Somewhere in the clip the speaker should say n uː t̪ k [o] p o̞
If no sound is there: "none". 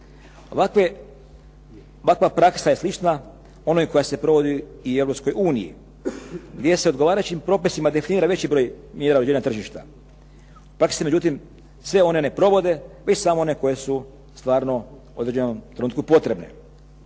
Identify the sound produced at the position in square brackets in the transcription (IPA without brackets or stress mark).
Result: u